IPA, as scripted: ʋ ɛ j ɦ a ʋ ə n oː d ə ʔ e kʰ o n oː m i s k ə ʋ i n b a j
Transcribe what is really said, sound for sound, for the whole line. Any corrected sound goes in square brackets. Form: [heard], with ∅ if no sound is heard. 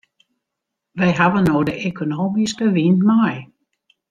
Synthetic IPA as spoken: ʋ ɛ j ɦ a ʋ ə n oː d ə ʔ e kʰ o n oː m i s k ə ʋ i n [m] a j